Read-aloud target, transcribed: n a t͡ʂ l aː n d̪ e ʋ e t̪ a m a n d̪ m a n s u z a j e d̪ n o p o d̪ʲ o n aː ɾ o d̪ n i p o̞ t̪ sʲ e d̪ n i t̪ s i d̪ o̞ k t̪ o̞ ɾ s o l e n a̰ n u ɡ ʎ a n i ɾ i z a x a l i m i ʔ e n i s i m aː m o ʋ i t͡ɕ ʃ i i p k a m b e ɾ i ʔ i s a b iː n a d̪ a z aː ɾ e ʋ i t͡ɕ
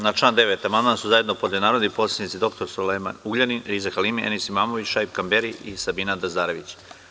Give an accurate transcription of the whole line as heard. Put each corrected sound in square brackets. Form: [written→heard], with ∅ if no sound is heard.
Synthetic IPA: n a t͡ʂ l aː n d̪ e ʋ e t̪ a m a n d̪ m a n s u z a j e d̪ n o p o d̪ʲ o n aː ɾ o d̪ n i p o̞ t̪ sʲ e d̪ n i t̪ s i d̪ o̞ k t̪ o̞ ɾ s o l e [n→m] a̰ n u ɡ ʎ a n i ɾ i z a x a l i m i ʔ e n i s i m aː m o ʋ i t͡ɕ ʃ [i→a] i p k a m b e ɾ i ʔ i s a b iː n a d̪ a z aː ɾ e ʋ i t͡ɕ